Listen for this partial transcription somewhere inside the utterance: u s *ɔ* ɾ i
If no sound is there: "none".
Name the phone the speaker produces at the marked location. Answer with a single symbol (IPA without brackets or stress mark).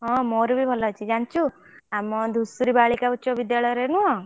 u